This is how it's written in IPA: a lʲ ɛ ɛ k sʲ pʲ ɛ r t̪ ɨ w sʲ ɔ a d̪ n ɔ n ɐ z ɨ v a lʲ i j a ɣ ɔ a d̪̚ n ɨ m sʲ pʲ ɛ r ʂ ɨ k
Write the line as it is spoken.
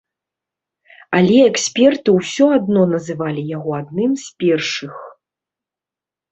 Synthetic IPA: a lʲ ɛ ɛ k sʲ pʲ ɛ r t̪ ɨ w sʲ ɔ a d̪ n ɔ n ɐ z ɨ v a lʲ i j a ɣ ɔ a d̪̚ n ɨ m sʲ pʲ ɛ r ʂ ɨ x